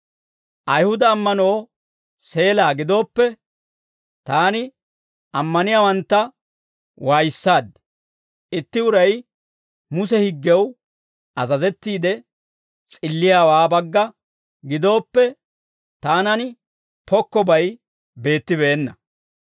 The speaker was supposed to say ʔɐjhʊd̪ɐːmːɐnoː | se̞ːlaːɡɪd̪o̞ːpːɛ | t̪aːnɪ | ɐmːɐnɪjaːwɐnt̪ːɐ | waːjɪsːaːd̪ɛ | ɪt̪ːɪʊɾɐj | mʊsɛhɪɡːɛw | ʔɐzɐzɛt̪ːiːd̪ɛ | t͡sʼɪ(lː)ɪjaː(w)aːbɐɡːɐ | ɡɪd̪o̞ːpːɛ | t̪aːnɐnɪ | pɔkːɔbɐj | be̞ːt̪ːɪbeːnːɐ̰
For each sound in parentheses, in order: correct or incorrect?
correct, correct

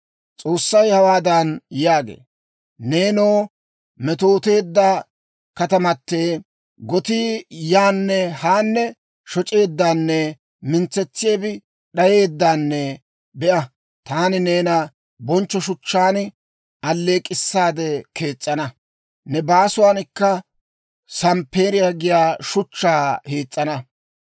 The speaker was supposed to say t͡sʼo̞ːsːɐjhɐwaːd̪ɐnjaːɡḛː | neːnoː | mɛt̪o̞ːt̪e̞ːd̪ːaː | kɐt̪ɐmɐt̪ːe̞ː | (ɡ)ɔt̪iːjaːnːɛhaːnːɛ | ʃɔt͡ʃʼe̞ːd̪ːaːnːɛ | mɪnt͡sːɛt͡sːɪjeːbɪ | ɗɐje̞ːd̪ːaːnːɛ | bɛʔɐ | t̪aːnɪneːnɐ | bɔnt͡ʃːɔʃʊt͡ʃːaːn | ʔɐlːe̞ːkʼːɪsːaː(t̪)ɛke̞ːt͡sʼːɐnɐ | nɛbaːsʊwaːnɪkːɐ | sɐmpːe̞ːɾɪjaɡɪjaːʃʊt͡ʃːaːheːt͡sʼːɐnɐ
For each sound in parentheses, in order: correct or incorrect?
correct, incorrect: d̪

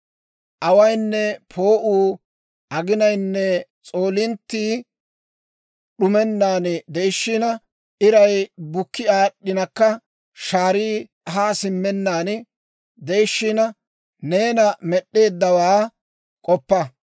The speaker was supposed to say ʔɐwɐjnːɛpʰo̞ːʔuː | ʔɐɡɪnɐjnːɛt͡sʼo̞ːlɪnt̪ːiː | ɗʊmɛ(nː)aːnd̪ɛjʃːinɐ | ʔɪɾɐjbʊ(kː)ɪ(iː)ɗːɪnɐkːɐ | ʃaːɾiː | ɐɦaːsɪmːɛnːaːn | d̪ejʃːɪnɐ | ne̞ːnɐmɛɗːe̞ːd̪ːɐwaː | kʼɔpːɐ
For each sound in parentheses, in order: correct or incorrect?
correct, correct, incorrect: aː

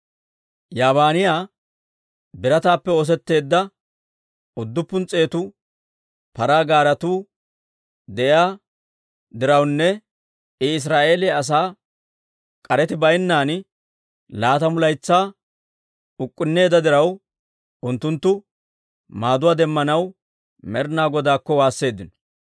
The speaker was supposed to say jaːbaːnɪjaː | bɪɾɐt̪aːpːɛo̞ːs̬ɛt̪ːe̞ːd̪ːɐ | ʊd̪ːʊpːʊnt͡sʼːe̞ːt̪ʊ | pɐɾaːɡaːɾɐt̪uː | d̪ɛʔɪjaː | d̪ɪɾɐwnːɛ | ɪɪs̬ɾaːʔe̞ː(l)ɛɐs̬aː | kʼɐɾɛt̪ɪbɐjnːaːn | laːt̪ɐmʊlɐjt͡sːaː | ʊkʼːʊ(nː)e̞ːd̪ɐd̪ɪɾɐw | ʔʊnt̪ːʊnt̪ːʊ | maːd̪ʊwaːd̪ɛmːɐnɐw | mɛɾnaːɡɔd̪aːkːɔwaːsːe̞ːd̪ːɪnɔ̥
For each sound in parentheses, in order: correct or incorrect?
correct, correct

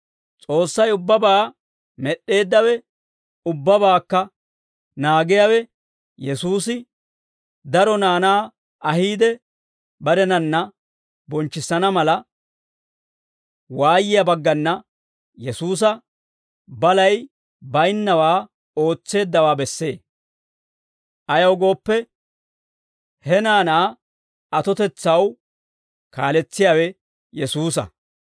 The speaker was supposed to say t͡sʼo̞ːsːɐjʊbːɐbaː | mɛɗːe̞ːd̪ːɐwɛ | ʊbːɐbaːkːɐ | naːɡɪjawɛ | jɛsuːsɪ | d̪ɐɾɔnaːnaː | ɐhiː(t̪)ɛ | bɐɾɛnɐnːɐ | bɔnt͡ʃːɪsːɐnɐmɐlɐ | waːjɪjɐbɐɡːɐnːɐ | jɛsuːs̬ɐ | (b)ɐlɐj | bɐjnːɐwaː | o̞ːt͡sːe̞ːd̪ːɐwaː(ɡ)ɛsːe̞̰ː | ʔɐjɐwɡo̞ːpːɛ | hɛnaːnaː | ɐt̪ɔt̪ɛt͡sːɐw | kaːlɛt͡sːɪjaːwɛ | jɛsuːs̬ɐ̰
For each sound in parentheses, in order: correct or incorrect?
incorrect: d̪, correct, incorrect: b

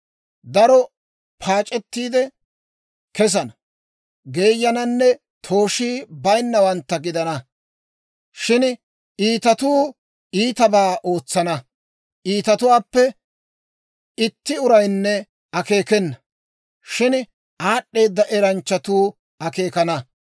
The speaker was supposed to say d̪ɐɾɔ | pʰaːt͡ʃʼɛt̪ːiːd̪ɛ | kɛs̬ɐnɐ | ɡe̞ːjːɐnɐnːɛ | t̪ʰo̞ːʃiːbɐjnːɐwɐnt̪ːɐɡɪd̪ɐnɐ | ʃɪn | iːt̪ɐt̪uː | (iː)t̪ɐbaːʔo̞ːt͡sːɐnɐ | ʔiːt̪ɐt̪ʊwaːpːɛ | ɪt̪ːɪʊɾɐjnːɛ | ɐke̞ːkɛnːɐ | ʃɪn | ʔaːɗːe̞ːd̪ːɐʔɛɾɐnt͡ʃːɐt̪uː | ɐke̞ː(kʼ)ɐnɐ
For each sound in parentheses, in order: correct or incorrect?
correct, incorrect: k

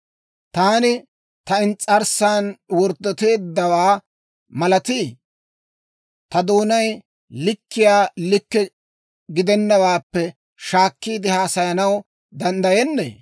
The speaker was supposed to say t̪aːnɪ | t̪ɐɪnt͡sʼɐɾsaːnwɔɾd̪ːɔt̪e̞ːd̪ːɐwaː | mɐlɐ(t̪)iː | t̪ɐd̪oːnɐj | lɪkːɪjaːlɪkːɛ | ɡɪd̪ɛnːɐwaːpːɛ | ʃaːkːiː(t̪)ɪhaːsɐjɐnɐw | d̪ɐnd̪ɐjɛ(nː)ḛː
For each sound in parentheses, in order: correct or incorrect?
correct, incorrect: d̪, correct

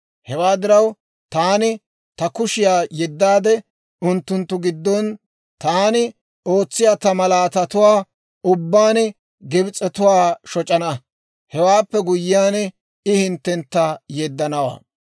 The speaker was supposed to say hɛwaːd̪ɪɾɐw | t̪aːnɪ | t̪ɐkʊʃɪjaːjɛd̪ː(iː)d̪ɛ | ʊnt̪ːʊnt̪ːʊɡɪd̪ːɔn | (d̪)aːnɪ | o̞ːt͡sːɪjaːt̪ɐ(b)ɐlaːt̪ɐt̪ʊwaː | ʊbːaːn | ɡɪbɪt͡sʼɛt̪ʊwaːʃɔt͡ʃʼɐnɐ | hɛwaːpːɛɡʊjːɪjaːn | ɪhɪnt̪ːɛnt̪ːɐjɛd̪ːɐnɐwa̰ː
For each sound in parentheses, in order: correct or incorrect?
incorrect: aː, incorrect: t̪, incorrect: m

